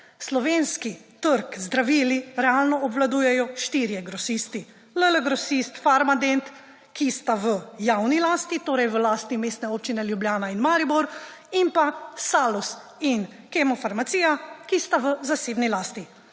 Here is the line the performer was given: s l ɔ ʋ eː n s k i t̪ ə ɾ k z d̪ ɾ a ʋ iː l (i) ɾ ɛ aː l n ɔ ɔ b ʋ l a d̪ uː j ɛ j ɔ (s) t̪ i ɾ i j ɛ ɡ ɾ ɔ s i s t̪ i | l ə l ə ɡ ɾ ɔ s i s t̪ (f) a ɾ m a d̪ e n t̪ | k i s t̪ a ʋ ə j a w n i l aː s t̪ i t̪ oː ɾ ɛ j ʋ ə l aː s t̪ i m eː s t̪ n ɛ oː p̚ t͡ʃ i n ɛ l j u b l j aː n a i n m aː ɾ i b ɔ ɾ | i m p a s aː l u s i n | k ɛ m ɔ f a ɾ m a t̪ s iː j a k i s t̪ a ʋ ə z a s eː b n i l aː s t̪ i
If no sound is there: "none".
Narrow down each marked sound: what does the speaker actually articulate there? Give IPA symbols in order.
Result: i, ʃ, f

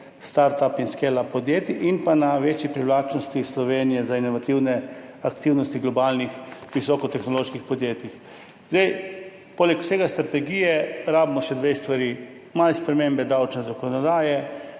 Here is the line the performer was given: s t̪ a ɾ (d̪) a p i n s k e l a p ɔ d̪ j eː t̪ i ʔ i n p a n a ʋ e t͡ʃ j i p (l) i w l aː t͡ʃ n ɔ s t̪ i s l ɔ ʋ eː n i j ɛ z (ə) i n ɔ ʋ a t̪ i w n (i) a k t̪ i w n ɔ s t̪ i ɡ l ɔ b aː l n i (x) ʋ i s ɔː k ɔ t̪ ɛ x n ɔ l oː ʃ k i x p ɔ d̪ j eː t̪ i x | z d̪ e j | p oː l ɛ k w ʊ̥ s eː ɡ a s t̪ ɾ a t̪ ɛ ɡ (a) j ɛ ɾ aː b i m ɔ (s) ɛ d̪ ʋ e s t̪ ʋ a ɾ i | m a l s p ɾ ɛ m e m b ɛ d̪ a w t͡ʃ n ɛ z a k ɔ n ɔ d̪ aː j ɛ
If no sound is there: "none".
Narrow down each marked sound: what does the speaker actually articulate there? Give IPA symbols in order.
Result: t̪, ɾ, a, ɛ, x, i, ʃ

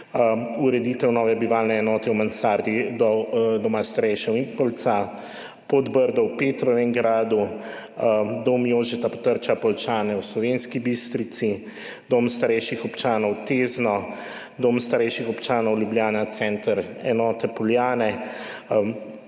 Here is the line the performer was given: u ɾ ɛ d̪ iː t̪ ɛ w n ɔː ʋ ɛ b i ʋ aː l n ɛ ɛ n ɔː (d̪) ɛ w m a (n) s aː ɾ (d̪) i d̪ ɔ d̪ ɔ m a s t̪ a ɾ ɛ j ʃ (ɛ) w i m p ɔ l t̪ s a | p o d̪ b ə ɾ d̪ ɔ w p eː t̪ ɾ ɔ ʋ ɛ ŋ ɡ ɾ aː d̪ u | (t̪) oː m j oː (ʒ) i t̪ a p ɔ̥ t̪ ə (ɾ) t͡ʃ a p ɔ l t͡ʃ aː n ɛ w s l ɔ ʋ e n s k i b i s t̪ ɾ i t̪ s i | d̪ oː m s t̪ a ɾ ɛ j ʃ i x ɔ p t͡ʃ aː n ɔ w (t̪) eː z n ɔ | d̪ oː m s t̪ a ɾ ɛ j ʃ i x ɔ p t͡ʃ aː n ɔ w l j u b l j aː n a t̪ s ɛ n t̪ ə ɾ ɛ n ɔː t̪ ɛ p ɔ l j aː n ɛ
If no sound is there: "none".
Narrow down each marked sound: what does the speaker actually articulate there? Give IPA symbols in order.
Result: t̪, n, d̪, ɛ, d̪, ʒ, ɾ, t̪

